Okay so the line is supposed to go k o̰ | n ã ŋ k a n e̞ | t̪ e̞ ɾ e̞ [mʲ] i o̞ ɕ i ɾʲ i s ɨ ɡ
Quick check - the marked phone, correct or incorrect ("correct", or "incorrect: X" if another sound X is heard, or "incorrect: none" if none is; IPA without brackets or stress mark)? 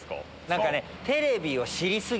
incorrect: bʲ